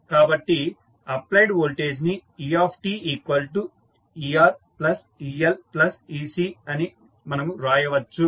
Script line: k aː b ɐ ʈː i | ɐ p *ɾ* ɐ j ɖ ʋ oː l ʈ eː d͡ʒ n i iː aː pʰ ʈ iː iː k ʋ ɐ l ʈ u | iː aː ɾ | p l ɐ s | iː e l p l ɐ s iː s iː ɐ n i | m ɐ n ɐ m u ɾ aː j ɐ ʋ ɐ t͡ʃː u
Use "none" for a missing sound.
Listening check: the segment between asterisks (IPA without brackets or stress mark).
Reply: l